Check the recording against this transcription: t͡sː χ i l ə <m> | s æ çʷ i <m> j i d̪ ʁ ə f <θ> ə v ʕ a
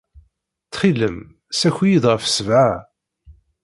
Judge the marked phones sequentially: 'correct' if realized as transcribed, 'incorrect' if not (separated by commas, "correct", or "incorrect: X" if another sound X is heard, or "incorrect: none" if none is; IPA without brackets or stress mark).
correct, incorrect: none, incorrect: s